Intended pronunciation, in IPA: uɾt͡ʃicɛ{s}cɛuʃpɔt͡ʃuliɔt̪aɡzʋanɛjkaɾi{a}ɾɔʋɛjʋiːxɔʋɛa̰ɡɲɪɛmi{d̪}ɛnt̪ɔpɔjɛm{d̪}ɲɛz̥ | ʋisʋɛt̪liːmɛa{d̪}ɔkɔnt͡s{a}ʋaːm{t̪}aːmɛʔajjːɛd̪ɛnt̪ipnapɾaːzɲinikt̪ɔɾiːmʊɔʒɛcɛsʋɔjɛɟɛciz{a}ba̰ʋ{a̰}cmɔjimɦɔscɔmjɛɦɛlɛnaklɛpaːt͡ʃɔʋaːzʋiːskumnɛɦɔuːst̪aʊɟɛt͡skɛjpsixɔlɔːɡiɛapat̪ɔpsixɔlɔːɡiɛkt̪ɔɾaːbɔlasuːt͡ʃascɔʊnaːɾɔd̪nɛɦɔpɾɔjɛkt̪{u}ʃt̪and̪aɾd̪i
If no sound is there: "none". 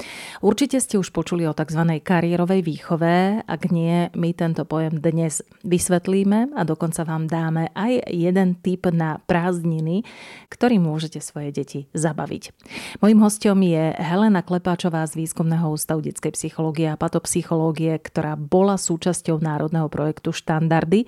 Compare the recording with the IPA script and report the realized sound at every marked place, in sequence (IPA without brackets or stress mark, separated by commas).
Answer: s, ɛ, t̪, d̪, d̪, a, d̪, a, ḭ, u